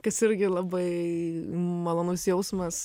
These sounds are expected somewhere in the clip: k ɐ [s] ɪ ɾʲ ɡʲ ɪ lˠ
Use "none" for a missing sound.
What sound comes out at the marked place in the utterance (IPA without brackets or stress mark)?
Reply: s